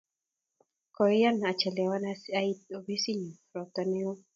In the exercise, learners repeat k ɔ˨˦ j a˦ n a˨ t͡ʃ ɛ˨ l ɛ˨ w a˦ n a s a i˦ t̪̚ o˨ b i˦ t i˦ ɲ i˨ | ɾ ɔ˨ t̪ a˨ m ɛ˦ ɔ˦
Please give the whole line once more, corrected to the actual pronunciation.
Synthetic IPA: k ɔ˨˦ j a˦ n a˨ t͡ʃ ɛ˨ l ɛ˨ w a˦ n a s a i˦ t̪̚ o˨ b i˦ s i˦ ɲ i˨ | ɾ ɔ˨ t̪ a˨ n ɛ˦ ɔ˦